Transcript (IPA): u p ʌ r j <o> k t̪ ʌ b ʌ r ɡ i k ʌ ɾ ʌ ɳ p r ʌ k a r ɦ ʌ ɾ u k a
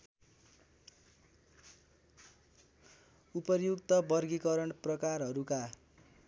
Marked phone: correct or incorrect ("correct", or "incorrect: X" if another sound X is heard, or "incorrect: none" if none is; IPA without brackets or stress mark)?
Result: incorrect: u